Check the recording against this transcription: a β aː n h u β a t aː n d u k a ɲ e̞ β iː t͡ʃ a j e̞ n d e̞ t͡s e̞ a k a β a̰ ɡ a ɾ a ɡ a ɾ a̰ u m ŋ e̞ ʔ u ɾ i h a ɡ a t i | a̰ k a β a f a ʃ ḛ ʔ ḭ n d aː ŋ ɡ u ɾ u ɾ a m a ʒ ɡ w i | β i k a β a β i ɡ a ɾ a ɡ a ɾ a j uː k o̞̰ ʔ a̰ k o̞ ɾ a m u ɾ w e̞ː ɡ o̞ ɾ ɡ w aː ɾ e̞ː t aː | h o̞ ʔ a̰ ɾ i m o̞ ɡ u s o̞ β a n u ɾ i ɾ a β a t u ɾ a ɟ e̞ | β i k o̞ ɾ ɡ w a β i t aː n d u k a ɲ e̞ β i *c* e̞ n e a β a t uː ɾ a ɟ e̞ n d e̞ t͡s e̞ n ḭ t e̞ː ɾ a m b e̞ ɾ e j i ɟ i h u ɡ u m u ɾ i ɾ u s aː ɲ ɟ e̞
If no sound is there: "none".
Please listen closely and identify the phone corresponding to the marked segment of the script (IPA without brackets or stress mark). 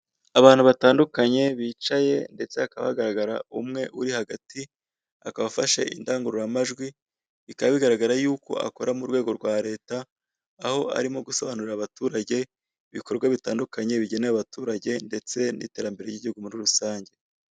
ɟ